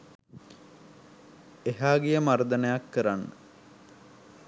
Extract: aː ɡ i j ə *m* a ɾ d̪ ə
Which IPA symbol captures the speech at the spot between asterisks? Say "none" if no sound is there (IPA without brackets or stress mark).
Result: m